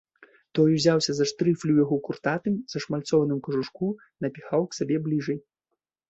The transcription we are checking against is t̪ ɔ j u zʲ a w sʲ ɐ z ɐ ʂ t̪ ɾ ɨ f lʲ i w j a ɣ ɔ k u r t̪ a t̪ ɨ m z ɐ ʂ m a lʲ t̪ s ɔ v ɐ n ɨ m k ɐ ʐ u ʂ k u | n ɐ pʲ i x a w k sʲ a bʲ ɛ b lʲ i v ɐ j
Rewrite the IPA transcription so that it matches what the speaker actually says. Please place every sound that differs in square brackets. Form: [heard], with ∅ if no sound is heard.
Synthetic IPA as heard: t̪ ɔ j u zʲ a w sʲ ɐ z ɐ ʂ t̪ ɾ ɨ f lʲ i w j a ɣ ɔ k u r t̪ a t̪ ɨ m z ɐ ʂ m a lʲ t̪ s ɔ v ɐ n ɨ m k ɐ ʐ u ʂ k u | n ɐ pʲ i x a w k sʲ a bʲ ɛ b lʲ i [ʐ] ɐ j